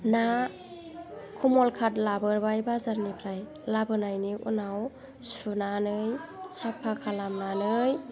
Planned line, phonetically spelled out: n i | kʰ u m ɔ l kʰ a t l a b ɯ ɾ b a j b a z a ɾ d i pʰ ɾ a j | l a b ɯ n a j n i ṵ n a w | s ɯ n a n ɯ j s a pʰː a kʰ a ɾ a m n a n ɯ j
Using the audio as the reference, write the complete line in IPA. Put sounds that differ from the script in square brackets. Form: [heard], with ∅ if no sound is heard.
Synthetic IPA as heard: n [a] | kʰ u m ɔ l kʰ a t l a b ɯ ɾ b a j b a z a ɾ [n] i pʰ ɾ a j | l a b ɯ n a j n i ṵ n a w | s [u] n a n ɯ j s a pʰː a kʰ a [l] a m n a n ɯ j